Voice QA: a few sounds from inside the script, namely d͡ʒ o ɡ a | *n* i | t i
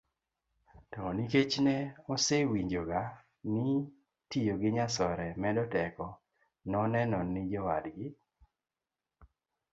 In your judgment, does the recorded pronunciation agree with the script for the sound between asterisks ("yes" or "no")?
yes